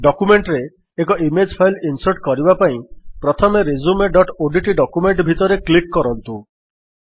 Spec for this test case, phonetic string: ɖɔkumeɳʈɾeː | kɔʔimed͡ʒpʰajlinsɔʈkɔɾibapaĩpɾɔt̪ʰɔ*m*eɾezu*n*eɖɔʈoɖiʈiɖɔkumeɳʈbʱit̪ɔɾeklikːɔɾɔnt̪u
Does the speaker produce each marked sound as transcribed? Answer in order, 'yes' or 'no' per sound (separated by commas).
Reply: yes, no